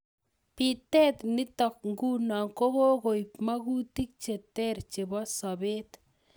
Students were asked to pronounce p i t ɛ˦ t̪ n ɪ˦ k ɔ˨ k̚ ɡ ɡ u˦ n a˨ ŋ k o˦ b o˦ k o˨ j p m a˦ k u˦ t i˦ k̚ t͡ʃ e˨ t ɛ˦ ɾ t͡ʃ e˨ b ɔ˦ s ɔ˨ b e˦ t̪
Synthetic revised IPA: p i t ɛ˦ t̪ n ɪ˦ t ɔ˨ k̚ ŋ ɡ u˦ n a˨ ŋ k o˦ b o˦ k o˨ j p m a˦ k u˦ t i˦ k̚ t͡ʃ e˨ t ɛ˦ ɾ t͡ʃ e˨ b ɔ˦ s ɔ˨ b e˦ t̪